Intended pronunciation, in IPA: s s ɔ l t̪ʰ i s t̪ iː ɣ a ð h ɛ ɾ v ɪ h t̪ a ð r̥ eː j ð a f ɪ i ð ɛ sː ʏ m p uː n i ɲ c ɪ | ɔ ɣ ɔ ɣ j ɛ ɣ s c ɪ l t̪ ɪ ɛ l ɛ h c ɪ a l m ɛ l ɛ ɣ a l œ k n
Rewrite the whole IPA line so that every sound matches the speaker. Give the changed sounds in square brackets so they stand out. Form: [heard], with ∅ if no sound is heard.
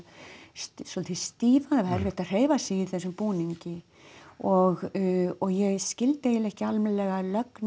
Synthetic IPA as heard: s s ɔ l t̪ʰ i s t̪ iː [v] a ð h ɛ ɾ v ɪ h t̪ a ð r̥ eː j [v] a [s] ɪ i [θ] ɛ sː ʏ m p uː n i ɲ c ɪ | ɔ ɣ ɔ ɣ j ɛ ɣ s c ɪ l t̪ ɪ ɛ l ɛ h c ɪ a l m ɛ l ɛ ɣ a l œ k n